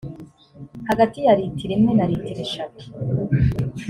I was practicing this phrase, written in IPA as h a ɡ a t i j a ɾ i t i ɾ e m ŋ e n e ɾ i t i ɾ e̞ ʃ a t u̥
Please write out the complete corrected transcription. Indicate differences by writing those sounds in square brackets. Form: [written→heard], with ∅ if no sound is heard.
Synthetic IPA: h a ɡ a t i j a ɾ i t i ɾ e m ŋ e n [e→a] ɾ i t i ɾ e̞ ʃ a t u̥